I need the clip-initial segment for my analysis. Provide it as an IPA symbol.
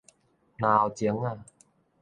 n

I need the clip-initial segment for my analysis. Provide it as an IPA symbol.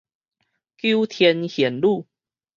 k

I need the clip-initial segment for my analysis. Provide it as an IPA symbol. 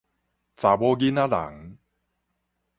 t͡s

